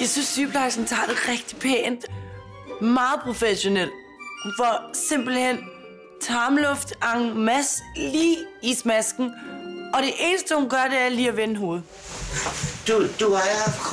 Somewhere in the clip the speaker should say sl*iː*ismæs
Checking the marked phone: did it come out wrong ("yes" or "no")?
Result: no